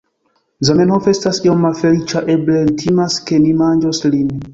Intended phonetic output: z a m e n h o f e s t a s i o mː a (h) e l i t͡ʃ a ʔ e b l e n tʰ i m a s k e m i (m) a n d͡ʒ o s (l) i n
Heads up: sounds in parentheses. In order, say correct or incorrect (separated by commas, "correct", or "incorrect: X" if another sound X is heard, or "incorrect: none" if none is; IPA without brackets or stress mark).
incorrect: f, correct, correct